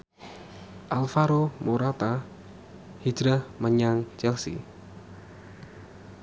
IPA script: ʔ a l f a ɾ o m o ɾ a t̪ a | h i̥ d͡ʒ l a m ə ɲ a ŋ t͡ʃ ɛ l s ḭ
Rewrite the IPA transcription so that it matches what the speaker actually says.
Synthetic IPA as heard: ʔ a l f a ɾ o m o ɾ a t̪ a | h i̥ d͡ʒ ɾ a m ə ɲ a ŋ t͡ʃ ɛ l s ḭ

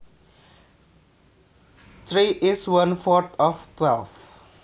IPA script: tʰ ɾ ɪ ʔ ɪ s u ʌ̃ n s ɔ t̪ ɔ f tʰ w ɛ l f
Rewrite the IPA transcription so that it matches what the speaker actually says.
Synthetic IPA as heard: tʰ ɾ i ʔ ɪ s w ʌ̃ n f ɔ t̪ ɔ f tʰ w ɛ l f

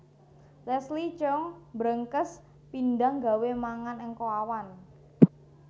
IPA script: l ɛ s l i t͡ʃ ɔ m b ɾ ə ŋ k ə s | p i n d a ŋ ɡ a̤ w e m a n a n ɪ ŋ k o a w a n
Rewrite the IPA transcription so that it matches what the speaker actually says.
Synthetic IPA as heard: l ɛ s l i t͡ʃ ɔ ŋ b ɾ ə ŋ k ə s | p i n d a ŋ ɡ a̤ w e m a ŋ a n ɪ ŋ k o a w a n

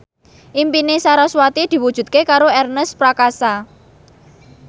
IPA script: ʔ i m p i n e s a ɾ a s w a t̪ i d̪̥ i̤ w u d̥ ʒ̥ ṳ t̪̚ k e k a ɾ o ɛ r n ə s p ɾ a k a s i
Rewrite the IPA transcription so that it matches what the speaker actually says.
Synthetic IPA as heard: ʔ i m p i n e s a ɾ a s w a t̪ i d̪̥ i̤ w u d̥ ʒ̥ ṳ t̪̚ k e k a ɾ o ɛ r n ə s p ɾ a k a s a

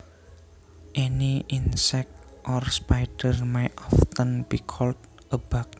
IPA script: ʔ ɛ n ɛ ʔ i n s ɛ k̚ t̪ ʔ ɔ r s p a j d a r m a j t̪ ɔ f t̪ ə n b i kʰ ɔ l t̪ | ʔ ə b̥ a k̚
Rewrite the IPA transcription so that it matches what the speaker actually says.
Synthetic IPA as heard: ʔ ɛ n i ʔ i n s ɛ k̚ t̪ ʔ ɔ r s p a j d ə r m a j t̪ ɔ f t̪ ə n b i kʰ ɔ l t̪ | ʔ ə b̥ a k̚

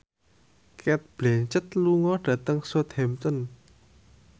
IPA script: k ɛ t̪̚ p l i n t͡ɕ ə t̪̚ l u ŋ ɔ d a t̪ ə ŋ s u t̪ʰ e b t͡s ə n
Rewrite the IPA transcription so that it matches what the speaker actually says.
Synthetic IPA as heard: k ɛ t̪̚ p l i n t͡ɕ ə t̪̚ l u ŋ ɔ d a t̪ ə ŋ s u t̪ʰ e m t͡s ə n

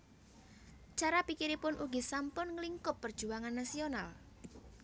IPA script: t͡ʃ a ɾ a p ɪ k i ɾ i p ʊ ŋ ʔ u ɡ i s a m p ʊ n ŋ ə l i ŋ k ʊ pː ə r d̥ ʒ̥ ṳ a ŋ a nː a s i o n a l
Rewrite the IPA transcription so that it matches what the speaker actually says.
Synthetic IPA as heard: t͡ʃ a ɾ a p i k i ɾ i p ʊ n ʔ u ɡ i s a m p ʊ n ŋ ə l i ŋ k ʊ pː ə r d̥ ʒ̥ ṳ a ŋ a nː a s i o n a l

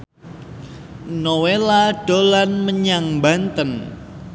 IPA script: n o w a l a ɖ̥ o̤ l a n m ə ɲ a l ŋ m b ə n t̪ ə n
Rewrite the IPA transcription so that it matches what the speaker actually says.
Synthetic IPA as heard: n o w e l a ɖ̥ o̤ l a n m ə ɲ a ŋ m b a n t̪ ə n

